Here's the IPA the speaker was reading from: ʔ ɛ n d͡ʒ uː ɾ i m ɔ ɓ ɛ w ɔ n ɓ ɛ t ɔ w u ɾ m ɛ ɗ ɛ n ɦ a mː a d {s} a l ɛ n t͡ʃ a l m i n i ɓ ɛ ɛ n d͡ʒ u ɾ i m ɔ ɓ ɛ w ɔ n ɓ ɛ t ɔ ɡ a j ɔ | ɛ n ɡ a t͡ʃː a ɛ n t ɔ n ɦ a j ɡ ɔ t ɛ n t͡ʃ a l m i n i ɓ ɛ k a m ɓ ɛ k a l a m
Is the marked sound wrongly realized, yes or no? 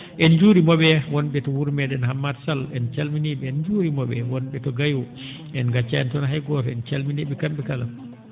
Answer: no